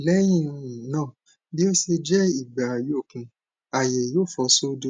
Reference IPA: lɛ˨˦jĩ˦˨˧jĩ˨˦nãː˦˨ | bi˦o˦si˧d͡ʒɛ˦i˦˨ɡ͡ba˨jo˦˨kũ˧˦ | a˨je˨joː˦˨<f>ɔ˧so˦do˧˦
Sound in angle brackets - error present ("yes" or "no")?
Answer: no